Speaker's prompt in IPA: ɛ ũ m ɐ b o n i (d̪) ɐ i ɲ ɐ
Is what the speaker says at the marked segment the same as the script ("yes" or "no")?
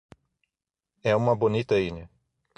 no